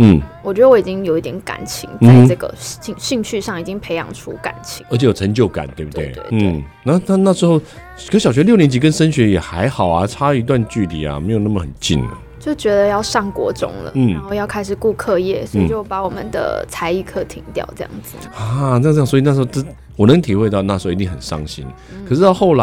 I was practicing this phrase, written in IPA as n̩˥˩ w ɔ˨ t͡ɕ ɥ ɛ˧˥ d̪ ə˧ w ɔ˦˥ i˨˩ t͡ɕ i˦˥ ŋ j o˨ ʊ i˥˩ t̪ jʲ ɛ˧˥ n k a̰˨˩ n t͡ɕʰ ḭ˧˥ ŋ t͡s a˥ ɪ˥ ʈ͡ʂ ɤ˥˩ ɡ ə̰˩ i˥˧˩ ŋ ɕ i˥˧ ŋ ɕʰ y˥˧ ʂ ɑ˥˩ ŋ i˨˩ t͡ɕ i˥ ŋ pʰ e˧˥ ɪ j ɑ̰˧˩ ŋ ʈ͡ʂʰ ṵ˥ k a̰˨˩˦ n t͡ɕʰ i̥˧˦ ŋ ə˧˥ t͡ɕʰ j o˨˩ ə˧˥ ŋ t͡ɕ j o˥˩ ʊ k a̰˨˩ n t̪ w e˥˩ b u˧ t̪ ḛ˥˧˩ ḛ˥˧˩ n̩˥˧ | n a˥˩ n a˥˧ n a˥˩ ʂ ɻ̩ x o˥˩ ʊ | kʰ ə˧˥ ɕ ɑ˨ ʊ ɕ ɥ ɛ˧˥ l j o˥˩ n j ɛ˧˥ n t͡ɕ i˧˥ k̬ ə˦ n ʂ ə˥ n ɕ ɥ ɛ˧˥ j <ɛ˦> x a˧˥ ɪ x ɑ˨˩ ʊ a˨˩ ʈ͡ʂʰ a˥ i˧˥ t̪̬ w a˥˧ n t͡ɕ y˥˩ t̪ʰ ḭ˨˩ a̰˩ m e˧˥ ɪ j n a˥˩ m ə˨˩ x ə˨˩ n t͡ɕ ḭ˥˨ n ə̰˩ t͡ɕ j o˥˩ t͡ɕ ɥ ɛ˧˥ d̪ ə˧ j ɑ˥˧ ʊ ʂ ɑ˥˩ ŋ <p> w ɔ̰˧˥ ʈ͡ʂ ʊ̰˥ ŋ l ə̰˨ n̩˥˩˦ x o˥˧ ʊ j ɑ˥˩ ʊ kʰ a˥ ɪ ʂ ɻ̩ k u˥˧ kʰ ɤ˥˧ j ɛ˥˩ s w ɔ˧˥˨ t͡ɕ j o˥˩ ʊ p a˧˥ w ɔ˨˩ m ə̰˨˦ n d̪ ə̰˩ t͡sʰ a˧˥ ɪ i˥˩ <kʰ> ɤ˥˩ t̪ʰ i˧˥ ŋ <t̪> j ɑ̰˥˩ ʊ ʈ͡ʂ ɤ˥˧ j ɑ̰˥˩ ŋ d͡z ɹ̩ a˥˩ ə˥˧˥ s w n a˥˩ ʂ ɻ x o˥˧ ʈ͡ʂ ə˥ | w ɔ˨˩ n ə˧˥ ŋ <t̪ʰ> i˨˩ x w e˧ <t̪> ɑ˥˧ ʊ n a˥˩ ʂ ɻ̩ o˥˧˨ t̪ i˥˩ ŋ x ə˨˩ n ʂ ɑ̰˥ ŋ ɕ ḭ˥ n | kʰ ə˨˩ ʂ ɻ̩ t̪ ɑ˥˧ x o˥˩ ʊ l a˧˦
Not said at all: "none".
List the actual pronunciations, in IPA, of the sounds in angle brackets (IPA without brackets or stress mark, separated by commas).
ɛ˨˩, k, kʰ, t̪, t̪ʰ, t̪